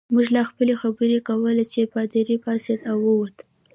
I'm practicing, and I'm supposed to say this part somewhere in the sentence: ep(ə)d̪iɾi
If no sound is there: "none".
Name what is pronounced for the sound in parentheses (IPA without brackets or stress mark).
ɑ